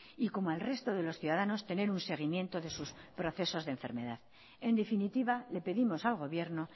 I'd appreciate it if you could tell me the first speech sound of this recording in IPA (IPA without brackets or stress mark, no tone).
i